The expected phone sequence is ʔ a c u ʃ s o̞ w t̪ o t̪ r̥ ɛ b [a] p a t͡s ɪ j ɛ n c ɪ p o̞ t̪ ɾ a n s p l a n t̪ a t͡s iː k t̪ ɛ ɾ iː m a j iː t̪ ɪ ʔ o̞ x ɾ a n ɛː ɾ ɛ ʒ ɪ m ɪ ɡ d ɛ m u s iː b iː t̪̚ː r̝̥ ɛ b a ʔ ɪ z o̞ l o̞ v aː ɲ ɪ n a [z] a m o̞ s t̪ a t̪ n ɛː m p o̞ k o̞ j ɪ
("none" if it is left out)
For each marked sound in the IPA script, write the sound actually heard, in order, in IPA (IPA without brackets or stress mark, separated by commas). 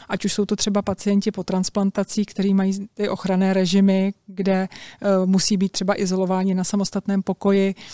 a, s